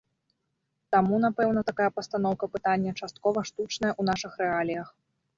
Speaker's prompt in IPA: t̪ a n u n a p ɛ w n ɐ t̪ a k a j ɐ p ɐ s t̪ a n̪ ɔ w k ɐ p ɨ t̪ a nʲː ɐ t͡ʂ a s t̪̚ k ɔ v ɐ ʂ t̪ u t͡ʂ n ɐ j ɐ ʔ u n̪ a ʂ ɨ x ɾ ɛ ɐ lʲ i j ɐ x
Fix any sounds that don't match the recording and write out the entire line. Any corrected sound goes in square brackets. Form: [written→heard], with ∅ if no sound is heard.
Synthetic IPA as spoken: t̪ a [n→m] u n a p ɛ w n ɐ t̪ a k a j ɐ p ɐ s t̪ a n̪ ɔ w k ɐ p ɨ t̪ a nʲː ɐ t͡ʂ a s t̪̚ k ɔ v ɐ ʂ t̪ u t͡ʂ n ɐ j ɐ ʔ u n̪ a ʂ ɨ x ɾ ɛ [ɐ→a] lʲ i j ɐ x